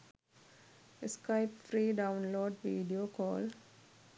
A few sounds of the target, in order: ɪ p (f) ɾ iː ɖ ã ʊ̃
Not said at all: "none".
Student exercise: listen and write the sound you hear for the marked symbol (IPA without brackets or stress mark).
f